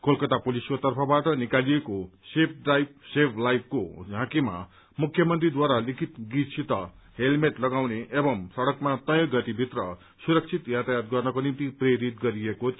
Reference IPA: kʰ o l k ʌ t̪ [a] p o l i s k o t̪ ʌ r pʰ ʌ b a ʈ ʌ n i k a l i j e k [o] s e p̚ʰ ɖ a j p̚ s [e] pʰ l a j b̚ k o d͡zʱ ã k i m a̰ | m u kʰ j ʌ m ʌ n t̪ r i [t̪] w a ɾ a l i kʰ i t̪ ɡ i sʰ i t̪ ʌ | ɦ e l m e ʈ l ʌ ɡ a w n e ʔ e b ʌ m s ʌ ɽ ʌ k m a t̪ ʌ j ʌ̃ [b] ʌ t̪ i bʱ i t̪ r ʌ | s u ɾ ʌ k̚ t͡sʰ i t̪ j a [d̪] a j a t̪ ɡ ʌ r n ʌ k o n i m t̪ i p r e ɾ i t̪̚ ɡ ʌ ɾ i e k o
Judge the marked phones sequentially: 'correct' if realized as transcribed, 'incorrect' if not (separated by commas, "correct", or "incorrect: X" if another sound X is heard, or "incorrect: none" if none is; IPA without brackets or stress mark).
correct, correct, correct, incorrect: d̪, incorrect: ɡ, incorrect: t̪